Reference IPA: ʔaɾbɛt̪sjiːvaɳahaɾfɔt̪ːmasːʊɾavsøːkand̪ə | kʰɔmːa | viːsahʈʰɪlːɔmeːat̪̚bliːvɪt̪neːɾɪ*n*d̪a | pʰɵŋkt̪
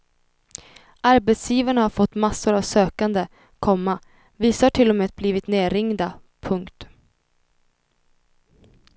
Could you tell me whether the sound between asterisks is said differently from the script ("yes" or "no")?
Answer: yes